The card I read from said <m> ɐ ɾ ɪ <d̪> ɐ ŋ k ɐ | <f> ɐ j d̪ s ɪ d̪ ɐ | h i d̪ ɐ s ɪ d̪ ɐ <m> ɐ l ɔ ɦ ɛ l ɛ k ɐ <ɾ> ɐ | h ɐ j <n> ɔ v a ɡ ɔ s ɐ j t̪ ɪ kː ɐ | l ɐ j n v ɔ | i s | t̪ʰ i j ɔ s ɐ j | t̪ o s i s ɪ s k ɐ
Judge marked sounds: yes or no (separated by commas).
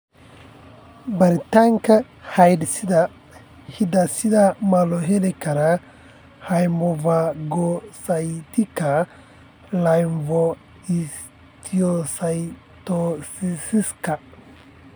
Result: no, no, no, yes, yes, no